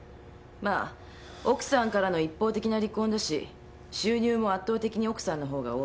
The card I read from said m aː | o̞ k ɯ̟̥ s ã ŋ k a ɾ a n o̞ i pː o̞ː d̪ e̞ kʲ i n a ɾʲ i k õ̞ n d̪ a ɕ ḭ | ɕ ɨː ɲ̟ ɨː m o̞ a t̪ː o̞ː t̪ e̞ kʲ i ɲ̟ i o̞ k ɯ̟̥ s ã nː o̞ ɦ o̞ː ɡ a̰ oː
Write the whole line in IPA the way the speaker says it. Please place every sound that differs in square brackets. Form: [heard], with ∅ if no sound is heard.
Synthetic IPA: m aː | o̞ k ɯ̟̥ s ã ŋ k a ɾ a n o̞ i pː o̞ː [t̪] e̞ kʲ i n a ɾʲ i k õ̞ n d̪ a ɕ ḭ | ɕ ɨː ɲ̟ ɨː m o̞ a t̪ː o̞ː t̪ e̞ kʲ i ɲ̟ i o̞ k ɯ̟̥ s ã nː o̞ ɦ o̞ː ɡ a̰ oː